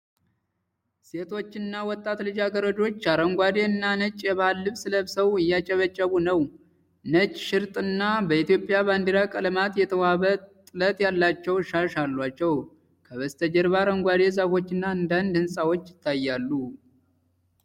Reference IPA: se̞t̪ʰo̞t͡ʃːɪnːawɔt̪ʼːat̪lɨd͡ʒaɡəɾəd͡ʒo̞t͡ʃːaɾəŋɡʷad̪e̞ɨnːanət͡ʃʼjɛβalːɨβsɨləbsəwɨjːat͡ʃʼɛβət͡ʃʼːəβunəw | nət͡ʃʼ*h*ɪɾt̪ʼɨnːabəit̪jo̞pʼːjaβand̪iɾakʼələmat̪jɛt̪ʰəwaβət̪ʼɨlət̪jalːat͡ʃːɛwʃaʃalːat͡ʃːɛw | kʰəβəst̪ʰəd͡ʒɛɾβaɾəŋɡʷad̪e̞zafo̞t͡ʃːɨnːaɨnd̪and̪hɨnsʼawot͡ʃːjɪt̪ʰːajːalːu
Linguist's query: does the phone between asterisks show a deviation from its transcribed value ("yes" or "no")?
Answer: yes